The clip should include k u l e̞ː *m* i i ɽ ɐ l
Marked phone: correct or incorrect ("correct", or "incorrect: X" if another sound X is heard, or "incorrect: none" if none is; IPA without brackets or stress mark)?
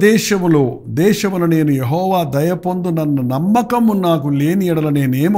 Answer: incorrect: n